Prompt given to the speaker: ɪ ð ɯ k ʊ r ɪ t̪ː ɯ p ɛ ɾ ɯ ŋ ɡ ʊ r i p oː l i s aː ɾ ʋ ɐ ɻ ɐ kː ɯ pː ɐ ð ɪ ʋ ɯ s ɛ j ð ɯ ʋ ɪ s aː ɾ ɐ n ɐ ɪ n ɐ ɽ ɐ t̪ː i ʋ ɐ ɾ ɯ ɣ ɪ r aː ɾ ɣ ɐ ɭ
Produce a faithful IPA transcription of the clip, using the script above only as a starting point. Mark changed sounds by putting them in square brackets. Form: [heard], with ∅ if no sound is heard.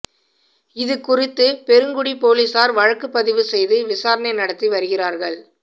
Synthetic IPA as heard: ɪ ð ɯ k ʊ r ɪ t̪ː ɯ p ɛ ɾ ɯ ŋ ɡ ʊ [ɽ] i p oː l i s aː ɾ ʋ ɐ ɻ ɐ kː ɯ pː ɐ ð ɪ ʋ ɯ s ɛ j ð ɯ ʋ ɪ s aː ɾ ɐ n ɐ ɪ n ɐ ɽ ɐ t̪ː i ʋ ɐ ɾ ɯ ɣ ɪ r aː ɾ ɣ ɐ ɭ